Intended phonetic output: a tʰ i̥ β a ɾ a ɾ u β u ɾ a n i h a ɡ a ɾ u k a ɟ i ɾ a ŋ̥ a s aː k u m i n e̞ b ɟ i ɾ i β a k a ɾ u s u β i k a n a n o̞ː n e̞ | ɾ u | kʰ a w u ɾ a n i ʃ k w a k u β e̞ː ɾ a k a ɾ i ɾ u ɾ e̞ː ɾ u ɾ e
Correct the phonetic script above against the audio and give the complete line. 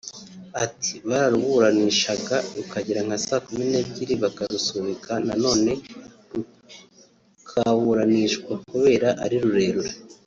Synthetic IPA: a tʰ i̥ β a ɾ a ɾ u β u ɾ a n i ʃ a ɡ a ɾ u k a ɟ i ɾ a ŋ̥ a s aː k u m i n e̞ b ɟ i ɾ i β a k a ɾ u s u β i k a n a n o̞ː n e̞ | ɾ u | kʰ a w u ɾ a n i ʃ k w a k u β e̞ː ɾ a ʔ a ɾ i ɾ u ɾ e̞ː ɾ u ɾ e